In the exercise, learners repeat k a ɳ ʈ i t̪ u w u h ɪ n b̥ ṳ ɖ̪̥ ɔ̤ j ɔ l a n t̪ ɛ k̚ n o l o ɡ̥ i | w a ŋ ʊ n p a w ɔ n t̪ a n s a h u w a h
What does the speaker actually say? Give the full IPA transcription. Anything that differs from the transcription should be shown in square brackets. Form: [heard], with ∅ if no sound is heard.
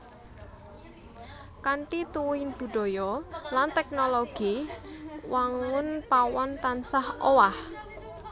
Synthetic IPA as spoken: k a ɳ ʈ i t̪ u w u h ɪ n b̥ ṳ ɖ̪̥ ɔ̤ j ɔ l a n t̪ ɛ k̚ n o l o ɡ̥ i | w a ŋ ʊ n p a w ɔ n t̪ a n s a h [o] w a h